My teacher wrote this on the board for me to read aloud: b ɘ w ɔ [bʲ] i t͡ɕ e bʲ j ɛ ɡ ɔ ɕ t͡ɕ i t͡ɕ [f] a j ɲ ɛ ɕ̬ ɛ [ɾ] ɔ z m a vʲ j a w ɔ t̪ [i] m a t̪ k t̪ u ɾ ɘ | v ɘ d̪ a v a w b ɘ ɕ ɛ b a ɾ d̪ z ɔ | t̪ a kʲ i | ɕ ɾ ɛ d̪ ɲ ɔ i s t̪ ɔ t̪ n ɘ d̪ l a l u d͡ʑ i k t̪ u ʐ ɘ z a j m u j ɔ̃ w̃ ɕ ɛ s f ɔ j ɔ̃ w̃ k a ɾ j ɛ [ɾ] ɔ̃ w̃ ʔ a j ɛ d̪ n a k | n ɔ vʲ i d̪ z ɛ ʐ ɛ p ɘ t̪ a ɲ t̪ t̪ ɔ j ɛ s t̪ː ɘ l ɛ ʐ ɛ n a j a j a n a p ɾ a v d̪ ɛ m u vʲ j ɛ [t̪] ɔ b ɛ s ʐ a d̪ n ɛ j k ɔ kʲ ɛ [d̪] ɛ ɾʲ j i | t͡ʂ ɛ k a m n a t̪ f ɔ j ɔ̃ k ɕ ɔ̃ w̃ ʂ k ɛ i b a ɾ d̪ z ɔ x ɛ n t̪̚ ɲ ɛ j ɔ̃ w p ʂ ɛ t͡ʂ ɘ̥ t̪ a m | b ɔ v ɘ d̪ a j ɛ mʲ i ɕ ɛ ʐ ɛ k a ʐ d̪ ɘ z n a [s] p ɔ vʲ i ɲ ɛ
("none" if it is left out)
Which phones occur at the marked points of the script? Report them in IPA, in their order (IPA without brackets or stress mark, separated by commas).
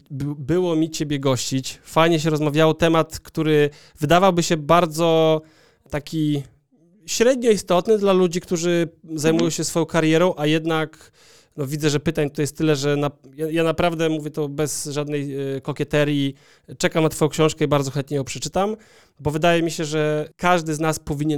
mʲ, f, ɾ, ɛ, ɾ, t̪, t̪, s